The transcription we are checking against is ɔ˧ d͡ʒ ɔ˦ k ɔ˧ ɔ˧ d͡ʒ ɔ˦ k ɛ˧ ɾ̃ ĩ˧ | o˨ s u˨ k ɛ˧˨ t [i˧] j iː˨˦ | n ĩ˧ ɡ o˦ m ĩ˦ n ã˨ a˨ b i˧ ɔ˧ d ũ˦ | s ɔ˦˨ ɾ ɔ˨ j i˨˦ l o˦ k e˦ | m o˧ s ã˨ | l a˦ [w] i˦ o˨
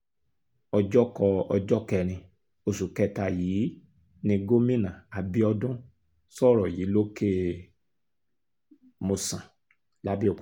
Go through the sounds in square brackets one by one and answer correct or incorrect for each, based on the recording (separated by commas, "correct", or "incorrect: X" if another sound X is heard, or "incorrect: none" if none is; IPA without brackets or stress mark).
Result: incorrect: a˧, incorrect: b